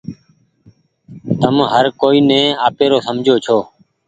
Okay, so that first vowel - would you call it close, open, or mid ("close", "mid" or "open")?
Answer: mid